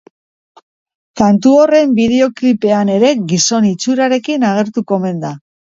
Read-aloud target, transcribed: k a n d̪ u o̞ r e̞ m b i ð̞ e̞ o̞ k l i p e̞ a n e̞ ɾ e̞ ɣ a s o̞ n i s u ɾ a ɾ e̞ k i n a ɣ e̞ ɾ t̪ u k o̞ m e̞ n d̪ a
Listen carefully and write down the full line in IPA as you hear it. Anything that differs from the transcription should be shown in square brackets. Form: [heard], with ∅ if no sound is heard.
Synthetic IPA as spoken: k a n [t̪] u o̞ r e̞ m b i ð̞ e̞ o̞ k l i p e̞ a n e̞ ɾ e̞ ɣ [i] s o̞ n i [t͡s] u ɾ a ɾ e̞ k i n a ɣ e̞ ɾ t̪ u k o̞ m e̞ n d̪ a